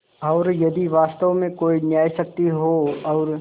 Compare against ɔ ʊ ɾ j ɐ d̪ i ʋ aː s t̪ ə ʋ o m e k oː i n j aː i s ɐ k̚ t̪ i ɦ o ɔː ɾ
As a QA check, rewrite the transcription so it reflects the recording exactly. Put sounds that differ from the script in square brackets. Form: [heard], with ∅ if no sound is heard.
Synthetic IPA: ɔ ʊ ɾ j ɐ d̪ i ʋ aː s t̪ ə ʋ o m [ẽ] k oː i n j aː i s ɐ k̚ t̪ i ɦ o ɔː ɾ